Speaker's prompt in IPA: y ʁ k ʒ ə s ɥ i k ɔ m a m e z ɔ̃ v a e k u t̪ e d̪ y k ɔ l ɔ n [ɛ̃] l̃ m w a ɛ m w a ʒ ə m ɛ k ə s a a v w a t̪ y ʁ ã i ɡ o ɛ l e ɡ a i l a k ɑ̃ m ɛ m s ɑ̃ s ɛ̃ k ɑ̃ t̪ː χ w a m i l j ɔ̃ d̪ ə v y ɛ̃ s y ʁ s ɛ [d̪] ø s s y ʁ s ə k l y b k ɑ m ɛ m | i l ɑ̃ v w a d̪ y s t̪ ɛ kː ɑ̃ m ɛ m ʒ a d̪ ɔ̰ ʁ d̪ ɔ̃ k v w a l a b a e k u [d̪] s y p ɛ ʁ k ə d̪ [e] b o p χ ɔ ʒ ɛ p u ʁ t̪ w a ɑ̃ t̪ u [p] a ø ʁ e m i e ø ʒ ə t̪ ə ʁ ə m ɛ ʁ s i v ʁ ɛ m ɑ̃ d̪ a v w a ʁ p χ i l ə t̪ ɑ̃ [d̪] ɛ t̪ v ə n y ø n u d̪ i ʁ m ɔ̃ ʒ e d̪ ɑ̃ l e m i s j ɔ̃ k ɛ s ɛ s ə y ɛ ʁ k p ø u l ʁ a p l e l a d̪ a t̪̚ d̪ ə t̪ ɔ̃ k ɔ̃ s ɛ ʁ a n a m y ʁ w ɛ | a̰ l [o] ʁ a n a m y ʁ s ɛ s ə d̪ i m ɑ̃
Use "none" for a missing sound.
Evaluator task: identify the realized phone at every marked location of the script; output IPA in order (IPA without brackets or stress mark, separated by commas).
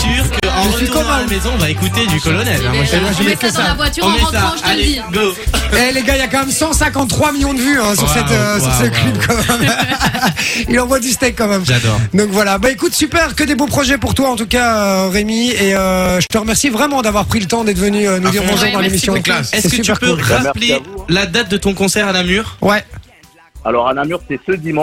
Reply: ɛ, t̪, t̪, e, k, d̪, ɔ